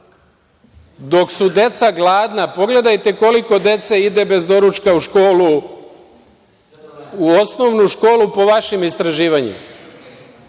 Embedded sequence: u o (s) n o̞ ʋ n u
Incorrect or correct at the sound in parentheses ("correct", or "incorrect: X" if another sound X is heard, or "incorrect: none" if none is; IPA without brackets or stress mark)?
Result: correct